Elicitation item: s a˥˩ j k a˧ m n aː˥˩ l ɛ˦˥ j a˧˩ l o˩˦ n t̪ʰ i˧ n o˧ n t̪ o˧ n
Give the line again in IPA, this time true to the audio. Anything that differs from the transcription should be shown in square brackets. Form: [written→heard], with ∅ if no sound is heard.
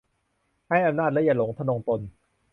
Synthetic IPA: [s→h] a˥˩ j [k→ʔ] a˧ m n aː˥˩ l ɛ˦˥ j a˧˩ l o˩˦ [n→ŋ] t̪ʰ [i˧→a˧] n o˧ [n→ŋ] t̪ o˧ n